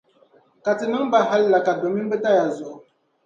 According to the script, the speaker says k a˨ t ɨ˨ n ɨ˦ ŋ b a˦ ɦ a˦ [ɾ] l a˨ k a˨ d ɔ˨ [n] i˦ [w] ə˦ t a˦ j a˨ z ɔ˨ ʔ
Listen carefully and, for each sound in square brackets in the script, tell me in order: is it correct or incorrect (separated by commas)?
incorrect, incorrect, incorrect